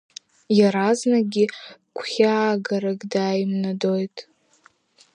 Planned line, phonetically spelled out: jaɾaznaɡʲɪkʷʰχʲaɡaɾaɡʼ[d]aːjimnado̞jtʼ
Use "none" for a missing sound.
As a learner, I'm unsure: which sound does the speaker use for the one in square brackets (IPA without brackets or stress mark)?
d